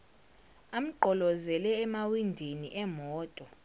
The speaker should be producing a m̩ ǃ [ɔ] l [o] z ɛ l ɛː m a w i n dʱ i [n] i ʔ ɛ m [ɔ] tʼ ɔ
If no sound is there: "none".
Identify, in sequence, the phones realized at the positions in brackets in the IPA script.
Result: ɔ, ɔ, n, ɔː

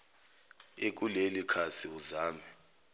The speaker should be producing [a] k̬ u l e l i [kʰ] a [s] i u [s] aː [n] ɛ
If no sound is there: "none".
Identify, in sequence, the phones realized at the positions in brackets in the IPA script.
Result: e, kʰ, s, z, m

